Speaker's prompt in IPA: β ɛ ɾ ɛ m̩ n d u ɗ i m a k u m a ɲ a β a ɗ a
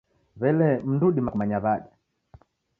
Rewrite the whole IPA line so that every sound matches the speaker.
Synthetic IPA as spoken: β ɛ l ɛ m̩ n d u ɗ i m a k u m a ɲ a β a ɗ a